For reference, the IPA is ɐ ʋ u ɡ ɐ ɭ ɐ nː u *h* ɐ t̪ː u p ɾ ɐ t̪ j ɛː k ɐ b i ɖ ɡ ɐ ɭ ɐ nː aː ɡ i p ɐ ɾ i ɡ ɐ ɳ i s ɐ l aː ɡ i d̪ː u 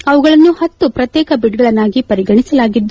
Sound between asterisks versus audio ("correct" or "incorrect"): correct